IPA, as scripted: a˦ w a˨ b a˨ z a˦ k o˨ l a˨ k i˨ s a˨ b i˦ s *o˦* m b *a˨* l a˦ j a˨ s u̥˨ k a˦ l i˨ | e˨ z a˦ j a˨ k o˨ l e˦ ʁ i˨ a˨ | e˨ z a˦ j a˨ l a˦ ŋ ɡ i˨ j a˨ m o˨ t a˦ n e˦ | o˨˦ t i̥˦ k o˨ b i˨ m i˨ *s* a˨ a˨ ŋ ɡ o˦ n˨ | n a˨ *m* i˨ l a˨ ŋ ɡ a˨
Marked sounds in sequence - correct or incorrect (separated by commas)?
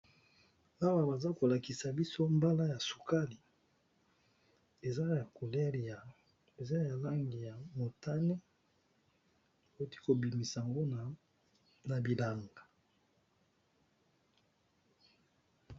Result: correct, incorrect, correct, incorrect